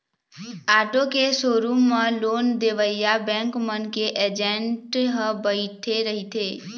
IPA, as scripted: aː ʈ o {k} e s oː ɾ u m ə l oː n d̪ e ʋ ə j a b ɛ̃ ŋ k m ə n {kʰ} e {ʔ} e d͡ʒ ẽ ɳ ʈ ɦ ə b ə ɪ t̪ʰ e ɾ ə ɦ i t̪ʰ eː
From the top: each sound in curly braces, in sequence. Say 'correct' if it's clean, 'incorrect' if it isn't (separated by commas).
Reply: correct, incorrect, correct